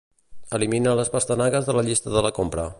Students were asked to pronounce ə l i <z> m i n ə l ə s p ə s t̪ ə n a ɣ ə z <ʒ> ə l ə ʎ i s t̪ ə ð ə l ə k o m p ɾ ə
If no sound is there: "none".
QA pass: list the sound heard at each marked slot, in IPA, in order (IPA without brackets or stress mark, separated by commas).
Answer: none, ð